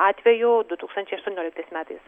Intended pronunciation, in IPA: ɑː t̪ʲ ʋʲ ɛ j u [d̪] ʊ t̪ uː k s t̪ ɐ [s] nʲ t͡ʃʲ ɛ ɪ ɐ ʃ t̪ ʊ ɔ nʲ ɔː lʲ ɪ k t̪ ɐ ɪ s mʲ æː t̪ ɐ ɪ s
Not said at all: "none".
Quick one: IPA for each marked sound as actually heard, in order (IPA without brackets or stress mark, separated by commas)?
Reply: d̪, none